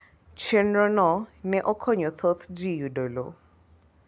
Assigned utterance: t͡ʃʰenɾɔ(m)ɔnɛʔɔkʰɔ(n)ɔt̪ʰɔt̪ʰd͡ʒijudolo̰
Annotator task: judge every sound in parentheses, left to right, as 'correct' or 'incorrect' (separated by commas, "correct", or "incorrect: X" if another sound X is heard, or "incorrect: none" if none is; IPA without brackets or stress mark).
incorrect: n, incorrect: ɲ